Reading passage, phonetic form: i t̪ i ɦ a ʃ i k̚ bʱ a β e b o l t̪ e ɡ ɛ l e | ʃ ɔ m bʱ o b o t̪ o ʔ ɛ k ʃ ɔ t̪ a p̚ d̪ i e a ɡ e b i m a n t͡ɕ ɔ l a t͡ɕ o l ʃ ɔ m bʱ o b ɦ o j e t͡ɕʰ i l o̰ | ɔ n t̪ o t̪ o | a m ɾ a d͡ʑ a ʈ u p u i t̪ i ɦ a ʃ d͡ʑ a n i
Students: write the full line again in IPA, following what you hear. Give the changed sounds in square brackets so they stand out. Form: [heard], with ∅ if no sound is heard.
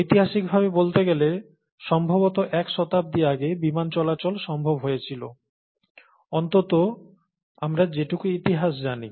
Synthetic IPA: i t̪ i ɦ a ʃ i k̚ bʱ a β e b o l t̪ e ɡ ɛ l e | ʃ ɔ m bʱ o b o t̪ o ʔ ɛ k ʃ ɔ t̪ a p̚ d̪ i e a ɡ e b i m a n t͡ɕ ɔ l a t͡ɕ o l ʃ ɔ m bʱ o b ɦ o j e t͡ɕʰ i l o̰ | ɔ n t̪ o t̪ o | a m ɾ a d͡ʑ [e] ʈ u [k] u i t̪ i ɦ a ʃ d͡ʑ a n i